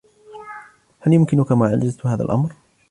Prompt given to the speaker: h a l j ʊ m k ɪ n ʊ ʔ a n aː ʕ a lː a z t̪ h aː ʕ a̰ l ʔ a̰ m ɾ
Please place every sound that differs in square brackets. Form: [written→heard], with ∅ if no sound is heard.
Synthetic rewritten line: h a l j ʊ m k ɪ n ʊ [ʔ→k] a [n→m] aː ʕ a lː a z t̪ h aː [ʕ→ð] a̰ l ʔ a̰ m ɾ

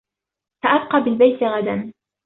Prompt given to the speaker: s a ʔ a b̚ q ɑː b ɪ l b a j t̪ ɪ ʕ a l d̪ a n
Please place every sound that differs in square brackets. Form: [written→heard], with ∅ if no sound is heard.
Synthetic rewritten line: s a ʔ a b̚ q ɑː b ɪ l b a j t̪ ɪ [ʕ→ɣ] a [l→∅] d̪ a n

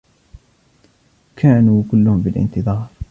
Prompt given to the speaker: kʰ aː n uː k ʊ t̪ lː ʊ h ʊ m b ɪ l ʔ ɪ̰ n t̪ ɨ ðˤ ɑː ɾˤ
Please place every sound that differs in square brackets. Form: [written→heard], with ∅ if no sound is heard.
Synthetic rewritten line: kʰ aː n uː k ʊ [t̪→∅] lː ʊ h ʊ m b ɪ l ʔ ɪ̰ n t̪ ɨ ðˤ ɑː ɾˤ

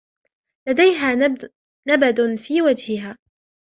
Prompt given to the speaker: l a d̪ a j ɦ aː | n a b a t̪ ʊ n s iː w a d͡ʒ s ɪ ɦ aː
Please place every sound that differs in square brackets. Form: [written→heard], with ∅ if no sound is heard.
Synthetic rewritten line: l a d̪ a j ɦ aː | n a b a [t̪→d̪] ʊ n [s→f] iː w a d͡ʒ [s→h] ɪ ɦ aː

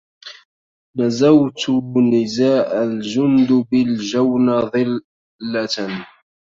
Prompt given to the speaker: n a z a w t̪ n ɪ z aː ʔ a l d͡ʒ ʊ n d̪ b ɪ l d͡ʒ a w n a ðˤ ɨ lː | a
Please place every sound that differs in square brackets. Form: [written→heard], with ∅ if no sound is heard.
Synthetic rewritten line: n a z a w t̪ n ɪ z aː ʔ a l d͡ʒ ʊ n d̪ b ɪ l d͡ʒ a w n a ðˤ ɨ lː | a

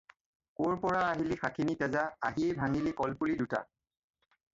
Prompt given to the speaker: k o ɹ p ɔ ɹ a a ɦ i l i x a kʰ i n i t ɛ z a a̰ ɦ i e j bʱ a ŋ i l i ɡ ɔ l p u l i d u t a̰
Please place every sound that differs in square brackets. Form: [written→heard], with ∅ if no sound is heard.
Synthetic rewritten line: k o ɹ p ɔ ɹ a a ɦ i l i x a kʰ i n i t ɛ z a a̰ ɦ i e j bʱ a ŋ i l i [ɡ→k] ɔ l p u l i d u t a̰

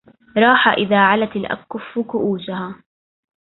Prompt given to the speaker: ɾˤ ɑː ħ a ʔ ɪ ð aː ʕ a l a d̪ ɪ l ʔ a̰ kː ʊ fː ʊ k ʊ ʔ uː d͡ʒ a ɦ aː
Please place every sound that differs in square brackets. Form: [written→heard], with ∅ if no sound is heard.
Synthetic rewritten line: ɾˤ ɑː ħ a ʔ ɪ ð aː ʕ a l a [d̪→t̪] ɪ l ʔ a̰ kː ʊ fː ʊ k ʊ ʔ uː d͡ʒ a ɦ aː

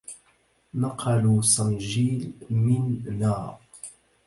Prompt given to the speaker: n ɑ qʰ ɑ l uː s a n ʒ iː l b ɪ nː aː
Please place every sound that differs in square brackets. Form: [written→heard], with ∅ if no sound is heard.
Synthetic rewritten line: n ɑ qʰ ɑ l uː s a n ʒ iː l [b→m] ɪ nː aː

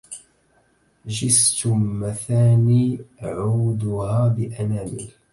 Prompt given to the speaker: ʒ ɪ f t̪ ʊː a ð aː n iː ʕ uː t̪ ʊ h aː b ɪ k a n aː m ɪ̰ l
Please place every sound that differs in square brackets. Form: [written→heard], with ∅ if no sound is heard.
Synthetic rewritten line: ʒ ɪ [f→s] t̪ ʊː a [ð→θ] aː n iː ʕ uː [t̪→d̪] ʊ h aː b ɪ [k→ʔ] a n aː m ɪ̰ l

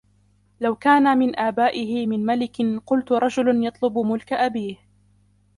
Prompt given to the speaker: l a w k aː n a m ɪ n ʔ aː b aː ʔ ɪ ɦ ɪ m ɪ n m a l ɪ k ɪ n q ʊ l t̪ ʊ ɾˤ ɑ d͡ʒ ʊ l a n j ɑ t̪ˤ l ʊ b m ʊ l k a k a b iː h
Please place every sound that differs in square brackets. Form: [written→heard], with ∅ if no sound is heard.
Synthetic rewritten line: l a w k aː n a m ɪ n ʔ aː b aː ʔ ɪ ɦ ɪ m ɪ n m a l ɪ k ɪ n q ʊ l t̪ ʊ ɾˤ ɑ d͡ʒ ʊ l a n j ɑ t̪ˤ l ʊ b m ʊ l k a [k→ʔ] a b iː h

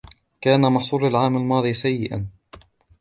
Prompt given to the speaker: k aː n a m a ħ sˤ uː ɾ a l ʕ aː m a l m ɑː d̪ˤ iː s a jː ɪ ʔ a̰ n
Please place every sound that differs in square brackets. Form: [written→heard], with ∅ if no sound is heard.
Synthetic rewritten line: k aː n a m [a→ɑ] ħ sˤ uː ɾ a l ʕ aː m a l m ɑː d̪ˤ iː s a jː ɪ ʔ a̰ n

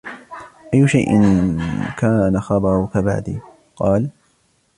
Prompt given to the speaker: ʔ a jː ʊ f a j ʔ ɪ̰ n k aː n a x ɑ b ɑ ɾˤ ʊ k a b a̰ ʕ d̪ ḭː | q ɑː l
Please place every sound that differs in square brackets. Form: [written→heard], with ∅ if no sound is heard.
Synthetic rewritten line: ʔ a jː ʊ [f→ʃ] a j ʔ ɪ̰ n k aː n a x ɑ b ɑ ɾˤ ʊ k a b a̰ ʕ d̪ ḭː | q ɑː l

